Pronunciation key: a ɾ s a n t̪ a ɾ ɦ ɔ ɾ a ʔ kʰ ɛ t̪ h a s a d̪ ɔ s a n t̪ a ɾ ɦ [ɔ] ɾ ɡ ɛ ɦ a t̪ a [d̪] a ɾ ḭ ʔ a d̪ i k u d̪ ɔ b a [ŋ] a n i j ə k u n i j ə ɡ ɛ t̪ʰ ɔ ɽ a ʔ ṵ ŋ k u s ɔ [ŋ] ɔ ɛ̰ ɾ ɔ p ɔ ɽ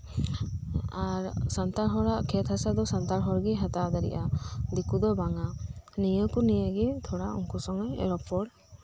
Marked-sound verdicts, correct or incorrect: correct, correct, correct, correct

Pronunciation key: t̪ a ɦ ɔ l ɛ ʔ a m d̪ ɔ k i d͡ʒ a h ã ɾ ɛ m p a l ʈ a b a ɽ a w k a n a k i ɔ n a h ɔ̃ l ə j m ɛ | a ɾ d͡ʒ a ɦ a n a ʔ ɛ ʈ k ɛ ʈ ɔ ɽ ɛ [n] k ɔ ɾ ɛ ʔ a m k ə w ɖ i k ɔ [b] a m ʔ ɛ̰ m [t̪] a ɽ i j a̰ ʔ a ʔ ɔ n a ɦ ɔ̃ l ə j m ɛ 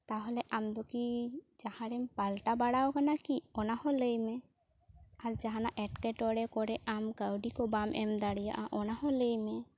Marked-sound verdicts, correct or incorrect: incorrect, correct, incorrect

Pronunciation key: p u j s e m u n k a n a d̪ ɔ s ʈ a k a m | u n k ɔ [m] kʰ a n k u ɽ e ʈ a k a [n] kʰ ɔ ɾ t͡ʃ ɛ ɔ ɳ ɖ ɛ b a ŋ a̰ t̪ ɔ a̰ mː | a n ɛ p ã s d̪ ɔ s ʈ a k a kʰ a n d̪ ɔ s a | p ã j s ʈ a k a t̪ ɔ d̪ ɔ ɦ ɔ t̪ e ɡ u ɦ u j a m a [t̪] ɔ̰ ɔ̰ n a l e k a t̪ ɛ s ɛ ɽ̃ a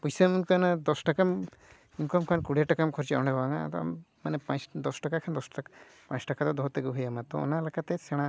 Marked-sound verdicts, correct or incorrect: correct, incorrect, correct

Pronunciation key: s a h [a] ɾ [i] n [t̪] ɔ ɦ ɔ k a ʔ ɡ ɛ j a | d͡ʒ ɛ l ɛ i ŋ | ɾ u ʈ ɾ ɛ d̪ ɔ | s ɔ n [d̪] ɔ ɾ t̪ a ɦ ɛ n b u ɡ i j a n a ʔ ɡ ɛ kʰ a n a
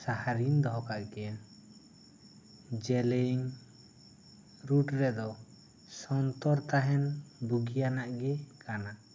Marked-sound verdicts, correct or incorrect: correct, correct, incorrect, incorrect

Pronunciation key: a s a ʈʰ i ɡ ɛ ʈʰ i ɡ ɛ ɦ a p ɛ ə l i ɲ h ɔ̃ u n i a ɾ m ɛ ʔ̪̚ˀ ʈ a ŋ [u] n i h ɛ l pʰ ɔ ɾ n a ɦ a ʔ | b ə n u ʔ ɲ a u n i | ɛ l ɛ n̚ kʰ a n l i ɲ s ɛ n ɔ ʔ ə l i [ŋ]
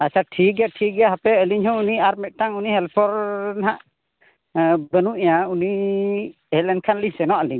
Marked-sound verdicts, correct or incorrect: correct, incorrect

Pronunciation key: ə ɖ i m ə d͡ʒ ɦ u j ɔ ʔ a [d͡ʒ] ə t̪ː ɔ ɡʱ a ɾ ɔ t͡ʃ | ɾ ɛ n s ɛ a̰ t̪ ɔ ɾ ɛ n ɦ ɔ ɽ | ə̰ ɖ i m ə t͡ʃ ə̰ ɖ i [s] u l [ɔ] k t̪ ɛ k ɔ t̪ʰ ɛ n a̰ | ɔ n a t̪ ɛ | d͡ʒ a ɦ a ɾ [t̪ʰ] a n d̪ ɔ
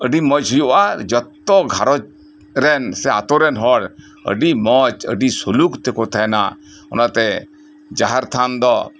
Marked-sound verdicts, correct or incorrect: correct, correct, incorrect, correct

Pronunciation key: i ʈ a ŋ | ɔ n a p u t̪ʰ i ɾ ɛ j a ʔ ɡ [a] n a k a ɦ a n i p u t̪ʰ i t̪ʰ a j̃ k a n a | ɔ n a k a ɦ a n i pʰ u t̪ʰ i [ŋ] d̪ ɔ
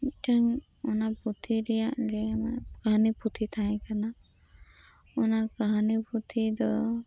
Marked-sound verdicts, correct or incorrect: incorrect, incorrect

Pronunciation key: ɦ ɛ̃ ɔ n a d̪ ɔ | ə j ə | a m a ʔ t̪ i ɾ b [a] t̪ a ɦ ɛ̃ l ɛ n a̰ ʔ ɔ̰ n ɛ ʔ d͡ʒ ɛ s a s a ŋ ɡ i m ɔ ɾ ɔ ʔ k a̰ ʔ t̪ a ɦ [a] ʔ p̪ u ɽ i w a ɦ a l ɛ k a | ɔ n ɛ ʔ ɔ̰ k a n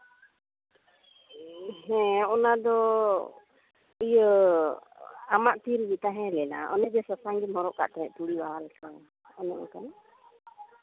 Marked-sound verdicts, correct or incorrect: incorrect, incorrect

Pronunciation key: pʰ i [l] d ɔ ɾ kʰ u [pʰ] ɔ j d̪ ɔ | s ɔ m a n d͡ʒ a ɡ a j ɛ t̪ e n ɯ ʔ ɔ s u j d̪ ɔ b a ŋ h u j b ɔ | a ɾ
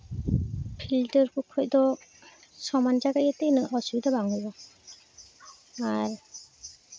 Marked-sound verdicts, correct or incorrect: correct, incorrect

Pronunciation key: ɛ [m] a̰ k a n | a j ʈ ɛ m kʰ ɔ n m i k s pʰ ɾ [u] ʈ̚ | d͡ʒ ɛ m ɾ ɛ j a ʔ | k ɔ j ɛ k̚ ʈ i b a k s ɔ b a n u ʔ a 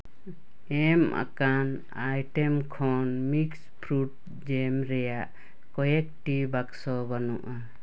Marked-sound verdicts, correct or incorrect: correct, correct

